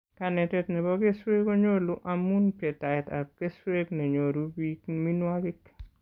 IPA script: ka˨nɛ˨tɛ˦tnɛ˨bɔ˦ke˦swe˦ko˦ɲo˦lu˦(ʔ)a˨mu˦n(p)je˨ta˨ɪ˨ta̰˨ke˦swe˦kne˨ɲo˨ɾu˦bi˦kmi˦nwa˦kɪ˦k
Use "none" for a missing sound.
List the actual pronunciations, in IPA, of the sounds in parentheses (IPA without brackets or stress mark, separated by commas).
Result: ʔ, p